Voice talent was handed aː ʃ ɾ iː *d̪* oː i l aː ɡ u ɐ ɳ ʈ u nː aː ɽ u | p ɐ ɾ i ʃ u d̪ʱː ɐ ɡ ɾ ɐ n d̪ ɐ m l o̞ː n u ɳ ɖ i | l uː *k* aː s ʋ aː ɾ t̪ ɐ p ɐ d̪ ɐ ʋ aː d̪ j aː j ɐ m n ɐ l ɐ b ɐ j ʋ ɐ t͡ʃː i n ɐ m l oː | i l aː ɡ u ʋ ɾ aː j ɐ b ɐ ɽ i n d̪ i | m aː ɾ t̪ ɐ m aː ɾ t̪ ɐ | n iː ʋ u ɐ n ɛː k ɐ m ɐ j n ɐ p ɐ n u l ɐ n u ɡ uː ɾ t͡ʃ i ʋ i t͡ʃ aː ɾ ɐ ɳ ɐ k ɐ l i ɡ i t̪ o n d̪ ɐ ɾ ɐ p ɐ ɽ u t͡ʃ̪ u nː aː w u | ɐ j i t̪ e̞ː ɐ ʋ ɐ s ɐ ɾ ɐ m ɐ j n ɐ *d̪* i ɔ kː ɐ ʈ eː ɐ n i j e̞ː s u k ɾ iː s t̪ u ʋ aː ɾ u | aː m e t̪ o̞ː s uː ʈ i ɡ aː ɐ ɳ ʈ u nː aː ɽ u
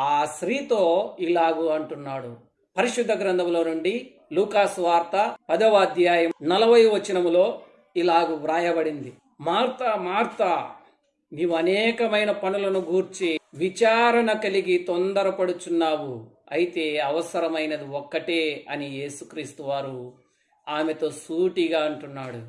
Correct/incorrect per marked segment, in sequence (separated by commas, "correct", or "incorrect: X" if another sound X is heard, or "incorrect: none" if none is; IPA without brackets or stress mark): incorrect: t̪, correct, correct